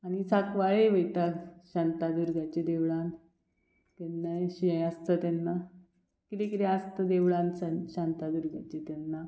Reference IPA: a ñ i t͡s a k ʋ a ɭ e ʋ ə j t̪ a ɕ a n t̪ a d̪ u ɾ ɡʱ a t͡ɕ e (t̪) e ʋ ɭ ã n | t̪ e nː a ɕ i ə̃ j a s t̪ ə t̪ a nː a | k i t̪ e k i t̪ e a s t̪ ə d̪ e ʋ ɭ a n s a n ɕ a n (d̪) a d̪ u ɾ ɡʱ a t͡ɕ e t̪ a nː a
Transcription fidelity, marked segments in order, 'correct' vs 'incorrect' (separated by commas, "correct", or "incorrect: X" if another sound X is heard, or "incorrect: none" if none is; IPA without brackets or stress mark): incorrect: d̪, incorrect: t̪